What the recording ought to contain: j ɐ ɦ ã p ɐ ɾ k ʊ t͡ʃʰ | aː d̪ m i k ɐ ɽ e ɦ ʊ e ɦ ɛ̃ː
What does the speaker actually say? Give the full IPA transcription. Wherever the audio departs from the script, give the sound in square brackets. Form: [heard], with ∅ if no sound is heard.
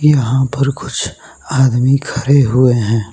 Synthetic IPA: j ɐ ɦ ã p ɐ ɾ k ʊ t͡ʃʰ | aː d̪ m i [kʰ] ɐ [ɾ] e ɦ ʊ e ɦ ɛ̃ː